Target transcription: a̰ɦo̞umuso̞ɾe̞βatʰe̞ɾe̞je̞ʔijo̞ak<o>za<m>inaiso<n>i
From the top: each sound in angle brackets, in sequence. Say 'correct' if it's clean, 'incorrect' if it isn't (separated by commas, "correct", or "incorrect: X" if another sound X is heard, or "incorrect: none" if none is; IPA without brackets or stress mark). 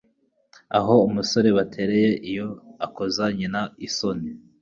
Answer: correct, incorrect: ɲ, correct